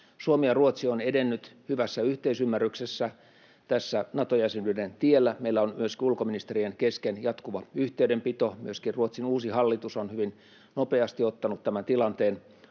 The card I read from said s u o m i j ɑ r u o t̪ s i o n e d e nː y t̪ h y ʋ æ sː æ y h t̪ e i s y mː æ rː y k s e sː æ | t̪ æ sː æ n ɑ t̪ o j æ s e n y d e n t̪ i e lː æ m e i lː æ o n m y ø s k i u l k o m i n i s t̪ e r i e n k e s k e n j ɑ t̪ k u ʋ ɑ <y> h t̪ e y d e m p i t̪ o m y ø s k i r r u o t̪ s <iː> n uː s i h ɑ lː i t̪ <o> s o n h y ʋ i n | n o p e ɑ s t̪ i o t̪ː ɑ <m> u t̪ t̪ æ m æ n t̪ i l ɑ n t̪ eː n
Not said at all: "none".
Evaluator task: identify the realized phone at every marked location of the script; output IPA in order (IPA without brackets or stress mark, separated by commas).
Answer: y, i, u, n